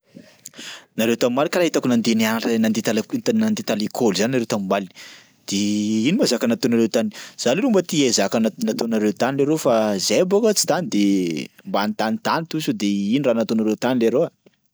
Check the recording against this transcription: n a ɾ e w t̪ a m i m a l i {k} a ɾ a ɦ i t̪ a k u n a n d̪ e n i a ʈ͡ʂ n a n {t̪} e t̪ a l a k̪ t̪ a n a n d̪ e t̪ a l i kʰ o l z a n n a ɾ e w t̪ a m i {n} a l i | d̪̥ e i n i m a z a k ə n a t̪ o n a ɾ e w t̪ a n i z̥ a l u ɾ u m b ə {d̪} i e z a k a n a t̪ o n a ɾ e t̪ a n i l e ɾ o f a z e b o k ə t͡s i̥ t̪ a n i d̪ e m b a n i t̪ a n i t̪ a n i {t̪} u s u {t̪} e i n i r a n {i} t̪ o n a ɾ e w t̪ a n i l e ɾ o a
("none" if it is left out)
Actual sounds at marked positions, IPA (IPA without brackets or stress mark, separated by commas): k, d̪, m, t̪, t̪, d̪, a